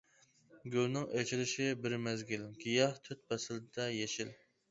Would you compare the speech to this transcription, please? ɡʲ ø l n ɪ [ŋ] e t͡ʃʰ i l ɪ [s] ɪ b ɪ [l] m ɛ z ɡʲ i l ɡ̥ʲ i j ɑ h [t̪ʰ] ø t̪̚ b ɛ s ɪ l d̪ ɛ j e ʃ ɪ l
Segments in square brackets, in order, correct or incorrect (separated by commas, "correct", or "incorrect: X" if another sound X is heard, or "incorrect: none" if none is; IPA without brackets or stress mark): correct, incorrect: ʃ, incorrect: ɾ, correct